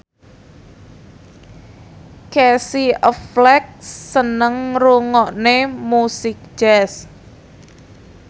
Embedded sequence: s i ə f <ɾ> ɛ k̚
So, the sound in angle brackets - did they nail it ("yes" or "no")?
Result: no